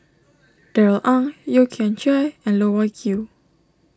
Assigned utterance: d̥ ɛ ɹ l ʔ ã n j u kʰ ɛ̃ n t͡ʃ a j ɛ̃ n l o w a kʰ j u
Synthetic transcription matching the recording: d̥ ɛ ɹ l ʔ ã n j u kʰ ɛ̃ n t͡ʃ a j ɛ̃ n l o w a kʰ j u